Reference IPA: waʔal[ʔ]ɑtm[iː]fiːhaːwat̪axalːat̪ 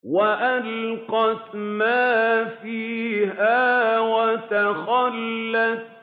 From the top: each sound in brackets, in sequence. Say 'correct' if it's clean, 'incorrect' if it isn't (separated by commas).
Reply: incorrect, incorrect